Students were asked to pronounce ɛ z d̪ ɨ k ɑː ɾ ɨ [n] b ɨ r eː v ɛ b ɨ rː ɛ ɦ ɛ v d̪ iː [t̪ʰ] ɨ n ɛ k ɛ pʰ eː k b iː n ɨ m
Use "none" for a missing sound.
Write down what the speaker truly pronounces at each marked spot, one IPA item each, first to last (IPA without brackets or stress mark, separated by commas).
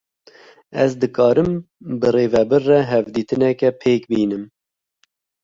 m, t̪